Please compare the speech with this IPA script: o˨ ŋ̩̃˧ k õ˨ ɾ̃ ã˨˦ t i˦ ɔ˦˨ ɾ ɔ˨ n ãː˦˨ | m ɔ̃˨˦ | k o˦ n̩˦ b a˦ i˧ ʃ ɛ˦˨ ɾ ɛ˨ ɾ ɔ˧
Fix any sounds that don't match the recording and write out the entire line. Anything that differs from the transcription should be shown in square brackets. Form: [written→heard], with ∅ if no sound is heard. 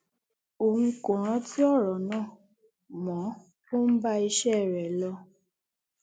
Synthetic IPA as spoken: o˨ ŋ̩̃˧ k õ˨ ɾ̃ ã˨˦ t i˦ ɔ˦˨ ɾ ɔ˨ n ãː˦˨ | m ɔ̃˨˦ | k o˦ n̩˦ b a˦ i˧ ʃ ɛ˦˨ ɾ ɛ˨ [ɾ→l] ɔ˧